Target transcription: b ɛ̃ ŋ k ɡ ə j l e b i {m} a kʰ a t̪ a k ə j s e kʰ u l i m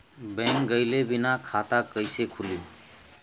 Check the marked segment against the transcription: incorrect: n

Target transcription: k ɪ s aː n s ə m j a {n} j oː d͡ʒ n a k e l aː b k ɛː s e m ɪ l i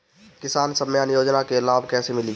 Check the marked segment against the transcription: correct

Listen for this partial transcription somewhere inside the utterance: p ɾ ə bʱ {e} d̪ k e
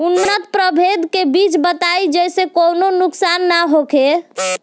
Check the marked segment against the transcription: correct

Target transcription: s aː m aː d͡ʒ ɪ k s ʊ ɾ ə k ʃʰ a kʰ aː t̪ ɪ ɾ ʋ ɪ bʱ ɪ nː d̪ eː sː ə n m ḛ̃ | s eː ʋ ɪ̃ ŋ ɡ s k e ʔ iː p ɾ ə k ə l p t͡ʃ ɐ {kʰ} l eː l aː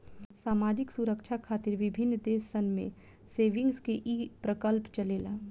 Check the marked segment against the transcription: incorrect: none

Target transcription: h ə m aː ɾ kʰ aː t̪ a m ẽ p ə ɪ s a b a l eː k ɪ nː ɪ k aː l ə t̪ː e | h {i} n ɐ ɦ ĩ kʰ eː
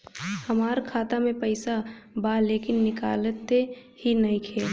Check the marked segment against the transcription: correct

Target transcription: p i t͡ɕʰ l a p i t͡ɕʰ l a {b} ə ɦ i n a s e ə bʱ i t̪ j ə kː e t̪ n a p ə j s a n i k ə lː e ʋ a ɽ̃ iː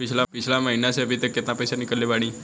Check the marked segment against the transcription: incorrect: m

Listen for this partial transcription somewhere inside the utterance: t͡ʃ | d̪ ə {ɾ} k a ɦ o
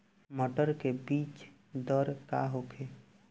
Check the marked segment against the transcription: correct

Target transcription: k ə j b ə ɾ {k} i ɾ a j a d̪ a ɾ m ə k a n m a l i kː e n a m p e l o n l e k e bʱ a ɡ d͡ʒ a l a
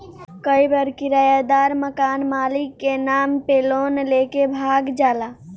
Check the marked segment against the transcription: correct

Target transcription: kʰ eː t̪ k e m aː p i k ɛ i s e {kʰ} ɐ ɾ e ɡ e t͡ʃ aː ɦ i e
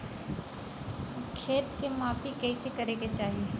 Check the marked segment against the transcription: incorrect: k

